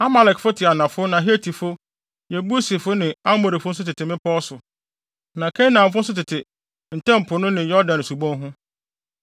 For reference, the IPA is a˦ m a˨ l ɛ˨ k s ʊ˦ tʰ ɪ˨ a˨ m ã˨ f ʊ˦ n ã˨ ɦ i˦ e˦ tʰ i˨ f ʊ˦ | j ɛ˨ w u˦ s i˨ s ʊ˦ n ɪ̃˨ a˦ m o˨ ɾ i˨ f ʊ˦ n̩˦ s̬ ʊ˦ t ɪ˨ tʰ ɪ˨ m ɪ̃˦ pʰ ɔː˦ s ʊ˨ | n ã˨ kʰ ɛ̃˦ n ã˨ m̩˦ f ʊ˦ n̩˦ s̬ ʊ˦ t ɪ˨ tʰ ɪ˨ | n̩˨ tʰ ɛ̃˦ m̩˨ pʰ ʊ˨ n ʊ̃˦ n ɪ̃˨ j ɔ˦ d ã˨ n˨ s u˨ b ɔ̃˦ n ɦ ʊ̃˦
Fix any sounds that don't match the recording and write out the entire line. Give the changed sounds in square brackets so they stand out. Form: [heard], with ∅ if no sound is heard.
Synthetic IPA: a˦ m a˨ l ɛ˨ k [f] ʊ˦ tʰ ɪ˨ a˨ [n] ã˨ f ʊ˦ n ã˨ ɦ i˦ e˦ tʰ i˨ f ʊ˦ | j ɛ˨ [b] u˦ s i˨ [f] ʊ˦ n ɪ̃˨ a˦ m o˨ ɾ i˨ f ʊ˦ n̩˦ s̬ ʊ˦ t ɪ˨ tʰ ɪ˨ m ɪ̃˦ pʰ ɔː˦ s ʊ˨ | n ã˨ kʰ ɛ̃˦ n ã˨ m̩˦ f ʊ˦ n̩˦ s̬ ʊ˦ t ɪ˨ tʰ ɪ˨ | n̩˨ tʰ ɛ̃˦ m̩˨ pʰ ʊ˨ n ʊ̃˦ n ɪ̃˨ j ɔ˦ d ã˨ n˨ s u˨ b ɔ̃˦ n ɦ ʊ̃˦